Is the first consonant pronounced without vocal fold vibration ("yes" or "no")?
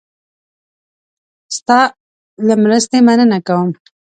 yes